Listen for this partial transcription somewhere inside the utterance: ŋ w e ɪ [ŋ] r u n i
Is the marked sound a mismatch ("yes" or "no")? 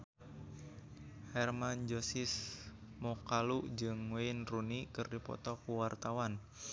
yes